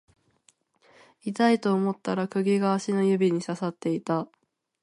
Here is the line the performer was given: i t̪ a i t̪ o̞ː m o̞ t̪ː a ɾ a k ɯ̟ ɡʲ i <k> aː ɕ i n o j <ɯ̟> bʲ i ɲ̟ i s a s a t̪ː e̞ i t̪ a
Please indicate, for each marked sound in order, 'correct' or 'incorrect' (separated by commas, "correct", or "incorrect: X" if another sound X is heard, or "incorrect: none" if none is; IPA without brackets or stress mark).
incorrect: ɡ, correct